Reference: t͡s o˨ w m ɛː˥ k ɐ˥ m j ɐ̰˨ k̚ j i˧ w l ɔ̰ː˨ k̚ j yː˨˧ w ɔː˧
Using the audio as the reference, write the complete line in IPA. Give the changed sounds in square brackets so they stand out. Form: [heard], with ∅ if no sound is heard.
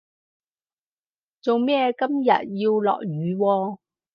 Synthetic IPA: t͡s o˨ w m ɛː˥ k ɐ˥ m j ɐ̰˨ [t̚] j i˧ w l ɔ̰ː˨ k̚ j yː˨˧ w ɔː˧